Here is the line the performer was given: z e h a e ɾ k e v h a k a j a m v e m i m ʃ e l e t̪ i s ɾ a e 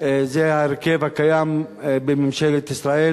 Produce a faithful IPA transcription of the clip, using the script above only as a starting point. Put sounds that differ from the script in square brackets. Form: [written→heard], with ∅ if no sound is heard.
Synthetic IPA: z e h a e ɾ k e v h a k a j a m [v→b] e m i m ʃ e l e t̪ i s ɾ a e